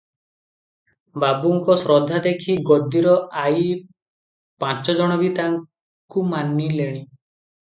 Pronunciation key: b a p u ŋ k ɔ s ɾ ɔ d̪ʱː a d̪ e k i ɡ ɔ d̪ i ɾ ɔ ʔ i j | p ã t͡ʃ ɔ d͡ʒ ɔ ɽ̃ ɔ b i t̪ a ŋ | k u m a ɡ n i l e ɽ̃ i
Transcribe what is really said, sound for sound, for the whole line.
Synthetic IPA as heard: b a b u ŋ k ɔ s ɾ ɔ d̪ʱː a d̪ e kʰ i ɡ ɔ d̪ i ɾ ɔ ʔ a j | p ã t͡ʃ ɔ d͡ʒ ɔ ɽ̃ ɔ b i t̪ a ŋ | k u m a n i l e ɽ̃ i